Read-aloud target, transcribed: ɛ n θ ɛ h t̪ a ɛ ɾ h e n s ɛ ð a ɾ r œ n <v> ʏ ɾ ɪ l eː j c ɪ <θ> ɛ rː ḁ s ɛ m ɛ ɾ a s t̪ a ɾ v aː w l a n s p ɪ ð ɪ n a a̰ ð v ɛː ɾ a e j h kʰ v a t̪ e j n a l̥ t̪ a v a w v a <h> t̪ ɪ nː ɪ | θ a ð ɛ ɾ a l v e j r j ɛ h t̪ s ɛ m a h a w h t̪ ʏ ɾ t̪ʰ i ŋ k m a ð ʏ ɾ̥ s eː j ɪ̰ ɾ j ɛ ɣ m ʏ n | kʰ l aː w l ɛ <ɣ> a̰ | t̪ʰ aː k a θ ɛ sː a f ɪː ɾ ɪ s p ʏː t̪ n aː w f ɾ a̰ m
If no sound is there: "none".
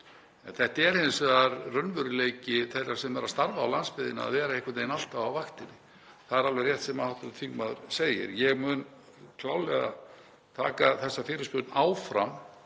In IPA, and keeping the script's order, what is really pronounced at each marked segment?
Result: v, θ, x, ɣ

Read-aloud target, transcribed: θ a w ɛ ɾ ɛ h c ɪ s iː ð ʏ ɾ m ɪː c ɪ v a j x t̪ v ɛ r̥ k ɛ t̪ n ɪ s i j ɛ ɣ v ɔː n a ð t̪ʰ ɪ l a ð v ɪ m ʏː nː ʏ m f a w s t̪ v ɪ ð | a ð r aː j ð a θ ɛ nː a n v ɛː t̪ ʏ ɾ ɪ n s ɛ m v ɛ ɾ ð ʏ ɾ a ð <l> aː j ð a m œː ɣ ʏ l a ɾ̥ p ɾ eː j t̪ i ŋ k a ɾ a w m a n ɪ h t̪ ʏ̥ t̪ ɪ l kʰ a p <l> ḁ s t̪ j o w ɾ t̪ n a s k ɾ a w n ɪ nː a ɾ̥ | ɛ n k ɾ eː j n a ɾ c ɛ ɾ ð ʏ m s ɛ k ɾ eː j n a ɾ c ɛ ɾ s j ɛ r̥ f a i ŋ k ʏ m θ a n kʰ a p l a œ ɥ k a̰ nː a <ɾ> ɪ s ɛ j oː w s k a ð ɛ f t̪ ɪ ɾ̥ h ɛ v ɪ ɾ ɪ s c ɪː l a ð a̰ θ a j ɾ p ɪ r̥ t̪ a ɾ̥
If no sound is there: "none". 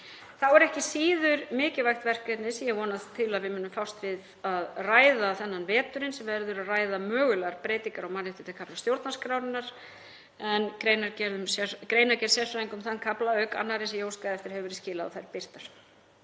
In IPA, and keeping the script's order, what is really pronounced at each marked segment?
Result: r, l, ɾ

